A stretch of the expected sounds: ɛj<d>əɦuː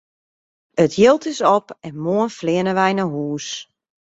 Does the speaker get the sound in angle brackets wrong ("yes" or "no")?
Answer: yes